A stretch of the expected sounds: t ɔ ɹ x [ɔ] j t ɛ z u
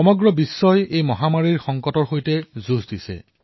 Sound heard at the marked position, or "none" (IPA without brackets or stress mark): o